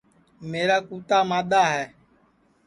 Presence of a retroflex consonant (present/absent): absent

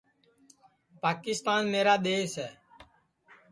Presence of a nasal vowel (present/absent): absent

